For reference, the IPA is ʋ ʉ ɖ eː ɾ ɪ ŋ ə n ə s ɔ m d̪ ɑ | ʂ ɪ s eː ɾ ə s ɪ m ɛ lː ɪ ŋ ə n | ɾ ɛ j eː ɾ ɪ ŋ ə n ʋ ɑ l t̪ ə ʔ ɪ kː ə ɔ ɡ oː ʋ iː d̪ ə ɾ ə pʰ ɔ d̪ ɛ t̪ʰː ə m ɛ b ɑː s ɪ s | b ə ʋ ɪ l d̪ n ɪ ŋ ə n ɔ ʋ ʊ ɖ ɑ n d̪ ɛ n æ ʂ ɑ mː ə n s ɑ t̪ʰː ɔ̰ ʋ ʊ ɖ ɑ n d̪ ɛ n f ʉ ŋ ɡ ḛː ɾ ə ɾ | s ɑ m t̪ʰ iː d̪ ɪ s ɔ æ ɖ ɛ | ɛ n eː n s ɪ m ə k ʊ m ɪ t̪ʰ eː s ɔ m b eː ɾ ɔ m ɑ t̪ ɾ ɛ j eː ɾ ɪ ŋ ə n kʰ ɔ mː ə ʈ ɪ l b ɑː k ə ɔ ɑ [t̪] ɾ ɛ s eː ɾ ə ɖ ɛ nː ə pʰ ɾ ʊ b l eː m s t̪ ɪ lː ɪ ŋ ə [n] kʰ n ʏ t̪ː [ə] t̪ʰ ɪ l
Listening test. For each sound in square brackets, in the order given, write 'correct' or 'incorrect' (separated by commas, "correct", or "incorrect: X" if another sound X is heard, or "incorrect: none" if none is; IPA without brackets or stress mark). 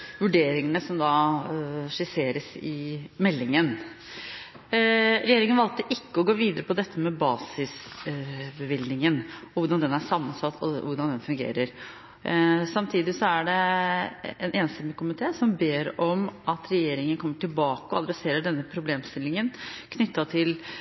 incorrect: d̪, correct, incorrect: ɑ